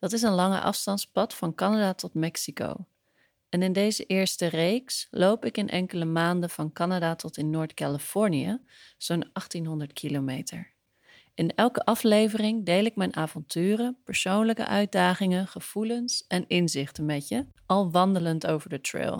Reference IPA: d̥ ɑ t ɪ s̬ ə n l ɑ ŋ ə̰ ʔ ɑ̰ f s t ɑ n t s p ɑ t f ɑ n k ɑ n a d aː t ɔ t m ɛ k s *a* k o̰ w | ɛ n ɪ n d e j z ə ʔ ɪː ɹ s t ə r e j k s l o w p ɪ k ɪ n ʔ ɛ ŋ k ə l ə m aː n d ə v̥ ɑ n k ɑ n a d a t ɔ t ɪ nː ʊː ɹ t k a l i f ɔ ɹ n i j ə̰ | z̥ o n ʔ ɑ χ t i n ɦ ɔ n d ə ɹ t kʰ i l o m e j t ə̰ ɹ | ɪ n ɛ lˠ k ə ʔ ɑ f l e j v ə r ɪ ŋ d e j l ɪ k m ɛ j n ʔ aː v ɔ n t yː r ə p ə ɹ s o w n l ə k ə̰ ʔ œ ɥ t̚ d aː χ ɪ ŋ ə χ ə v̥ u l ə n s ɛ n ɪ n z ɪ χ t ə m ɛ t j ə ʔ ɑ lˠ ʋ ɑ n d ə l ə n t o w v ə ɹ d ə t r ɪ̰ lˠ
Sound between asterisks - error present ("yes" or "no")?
yes